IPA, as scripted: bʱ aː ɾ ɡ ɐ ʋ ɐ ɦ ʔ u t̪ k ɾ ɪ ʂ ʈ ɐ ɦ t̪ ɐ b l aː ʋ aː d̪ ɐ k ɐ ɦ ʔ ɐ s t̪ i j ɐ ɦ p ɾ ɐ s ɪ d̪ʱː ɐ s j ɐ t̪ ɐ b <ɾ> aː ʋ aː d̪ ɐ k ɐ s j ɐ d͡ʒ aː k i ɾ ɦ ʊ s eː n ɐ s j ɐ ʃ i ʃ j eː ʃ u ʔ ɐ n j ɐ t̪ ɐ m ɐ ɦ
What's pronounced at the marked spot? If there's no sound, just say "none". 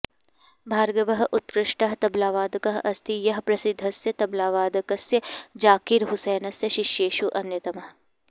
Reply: l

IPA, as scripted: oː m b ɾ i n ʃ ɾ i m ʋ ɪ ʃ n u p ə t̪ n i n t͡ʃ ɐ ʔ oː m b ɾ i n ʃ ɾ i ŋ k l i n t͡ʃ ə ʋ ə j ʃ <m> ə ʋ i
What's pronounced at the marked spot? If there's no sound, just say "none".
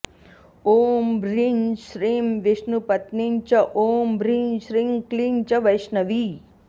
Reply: n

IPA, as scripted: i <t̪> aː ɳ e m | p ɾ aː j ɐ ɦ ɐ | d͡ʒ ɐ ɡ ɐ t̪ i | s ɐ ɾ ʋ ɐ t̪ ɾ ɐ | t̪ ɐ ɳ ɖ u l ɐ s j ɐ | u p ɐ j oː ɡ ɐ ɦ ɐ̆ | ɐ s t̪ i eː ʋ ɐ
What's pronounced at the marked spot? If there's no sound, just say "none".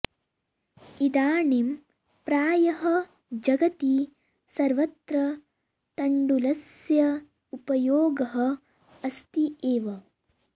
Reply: d̪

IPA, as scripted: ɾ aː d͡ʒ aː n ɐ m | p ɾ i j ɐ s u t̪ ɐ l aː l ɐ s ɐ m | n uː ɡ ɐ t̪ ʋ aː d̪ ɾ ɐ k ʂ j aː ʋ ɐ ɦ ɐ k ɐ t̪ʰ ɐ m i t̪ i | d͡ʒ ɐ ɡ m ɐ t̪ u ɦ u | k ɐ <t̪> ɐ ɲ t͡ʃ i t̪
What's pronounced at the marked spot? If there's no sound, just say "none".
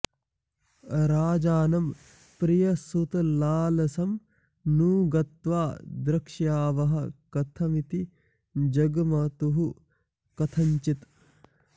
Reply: t̪ʰ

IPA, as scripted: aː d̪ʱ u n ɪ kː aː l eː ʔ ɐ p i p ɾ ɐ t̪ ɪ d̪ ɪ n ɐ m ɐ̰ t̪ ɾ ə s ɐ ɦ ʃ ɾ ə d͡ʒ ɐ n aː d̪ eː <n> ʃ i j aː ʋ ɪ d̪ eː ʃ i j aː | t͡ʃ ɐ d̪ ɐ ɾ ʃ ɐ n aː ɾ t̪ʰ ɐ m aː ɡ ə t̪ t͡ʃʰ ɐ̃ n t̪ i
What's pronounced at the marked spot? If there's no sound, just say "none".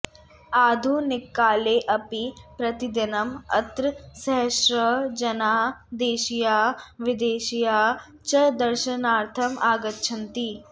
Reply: none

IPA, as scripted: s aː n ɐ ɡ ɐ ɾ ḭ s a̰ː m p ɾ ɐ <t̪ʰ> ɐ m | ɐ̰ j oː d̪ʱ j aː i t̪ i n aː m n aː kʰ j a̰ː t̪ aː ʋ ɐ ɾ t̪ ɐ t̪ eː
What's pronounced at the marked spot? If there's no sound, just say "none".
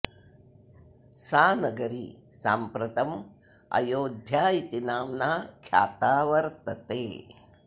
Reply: t̪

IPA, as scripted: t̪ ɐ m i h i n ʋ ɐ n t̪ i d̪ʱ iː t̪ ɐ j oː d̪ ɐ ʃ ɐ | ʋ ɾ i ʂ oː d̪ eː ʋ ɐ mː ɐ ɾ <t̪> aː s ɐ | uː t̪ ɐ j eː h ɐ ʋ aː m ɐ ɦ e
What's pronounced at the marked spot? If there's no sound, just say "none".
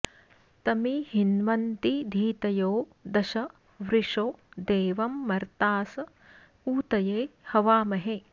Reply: t̪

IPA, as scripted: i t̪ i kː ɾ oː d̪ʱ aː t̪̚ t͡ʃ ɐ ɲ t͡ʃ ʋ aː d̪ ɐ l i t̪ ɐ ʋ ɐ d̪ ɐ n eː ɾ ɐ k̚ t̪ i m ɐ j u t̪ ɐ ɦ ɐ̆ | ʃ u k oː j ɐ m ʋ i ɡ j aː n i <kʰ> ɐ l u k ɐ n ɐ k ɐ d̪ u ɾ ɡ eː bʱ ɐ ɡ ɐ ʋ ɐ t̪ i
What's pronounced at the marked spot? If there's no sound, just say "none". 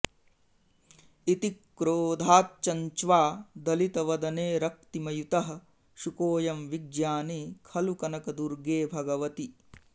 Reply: kʰ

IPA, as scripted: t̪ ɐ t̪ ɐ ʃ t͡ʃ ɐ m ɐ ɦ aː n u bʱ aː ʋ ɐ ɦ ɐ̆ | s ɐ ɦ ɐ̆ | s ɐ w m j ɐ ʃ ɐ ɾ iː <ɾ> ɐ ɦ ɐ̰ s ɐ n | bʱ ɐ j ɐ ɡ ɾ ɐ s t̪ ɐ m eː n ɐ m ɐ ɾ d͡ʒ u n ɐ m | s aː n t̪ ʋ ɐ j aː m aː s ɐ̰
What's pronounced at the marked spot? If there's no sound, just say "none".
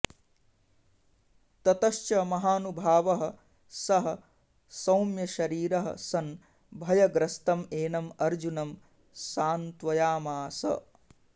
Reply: ɾ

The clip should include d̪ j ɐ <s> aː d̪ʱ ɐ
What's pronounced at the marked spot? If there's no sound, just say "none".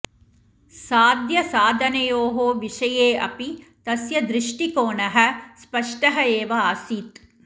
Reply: s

